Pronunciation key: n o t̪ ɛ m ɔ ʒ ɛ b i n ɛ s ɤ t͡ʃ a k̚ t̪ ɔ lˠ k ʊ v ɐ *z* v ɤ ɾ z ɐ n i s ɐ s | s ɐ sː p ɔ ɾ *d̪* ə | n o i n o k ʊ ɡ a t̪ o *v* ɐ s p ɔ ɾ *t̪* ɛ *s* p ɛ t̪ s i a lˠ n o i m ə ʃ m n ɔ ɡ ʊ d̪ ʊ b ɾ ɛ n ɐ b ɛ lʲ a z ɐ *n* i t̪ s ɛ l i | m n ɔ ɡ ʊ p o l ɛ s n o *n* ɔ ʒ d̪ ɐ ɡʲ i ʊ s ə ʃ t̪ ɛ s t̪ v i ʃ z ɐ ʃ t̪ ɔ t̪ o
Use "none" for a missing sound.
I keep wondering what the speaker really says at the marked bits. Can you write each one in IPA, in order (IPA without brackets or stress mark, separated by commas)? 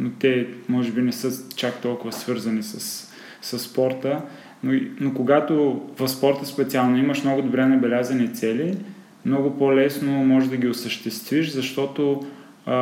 s, t̪, v, t̪, s, n, m